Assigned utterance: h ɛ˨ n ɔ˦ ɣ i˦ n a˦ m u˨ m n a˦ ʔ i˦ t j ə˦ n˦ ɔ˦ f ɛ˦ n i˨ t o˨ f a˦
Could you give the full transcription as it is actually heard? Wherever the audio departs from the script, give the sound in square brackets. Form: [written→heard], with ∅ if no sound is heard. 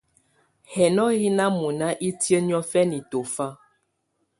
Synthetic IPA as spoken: h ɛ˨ n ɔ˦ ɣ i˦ n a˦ m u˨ [m→∅] n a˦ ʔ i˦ t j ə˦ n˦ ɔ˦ f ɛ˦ n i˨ t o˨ f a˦